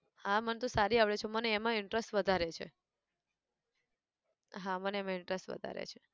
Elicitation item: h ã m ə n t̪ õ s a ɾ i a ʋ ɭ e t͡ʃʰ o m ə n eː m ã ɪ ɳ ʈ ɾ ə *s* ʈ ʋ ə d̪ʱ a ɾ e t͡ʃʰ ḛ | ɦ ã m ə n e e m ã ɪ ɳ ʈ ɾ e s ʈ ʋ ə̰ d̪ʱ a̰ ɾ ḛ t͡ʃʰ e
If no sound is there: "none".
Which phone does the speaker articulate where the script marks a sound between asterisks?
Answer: s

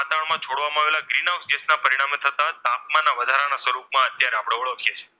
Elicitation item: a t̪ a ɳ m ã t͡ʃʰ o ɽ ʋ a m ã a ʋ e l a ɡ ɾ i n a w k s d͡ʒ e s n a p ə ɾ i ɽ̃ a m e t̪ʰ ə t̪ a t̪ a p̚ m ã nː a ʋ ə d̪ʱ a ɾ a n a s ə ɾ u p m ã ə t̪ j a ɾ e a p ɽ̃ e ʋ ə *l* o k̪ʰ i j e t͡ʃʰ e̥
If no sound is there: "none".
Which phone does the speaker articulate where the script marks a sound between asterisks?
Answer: ɭ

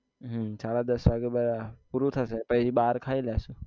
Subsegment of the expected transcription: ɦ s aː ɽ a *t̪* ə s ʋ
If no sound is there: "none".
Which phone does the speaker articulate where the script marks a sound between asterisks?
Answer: d̪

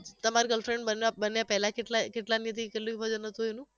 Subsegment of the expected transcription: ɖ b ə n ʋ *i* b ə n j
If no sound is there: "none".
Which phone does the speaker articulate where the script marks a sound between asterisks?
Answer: a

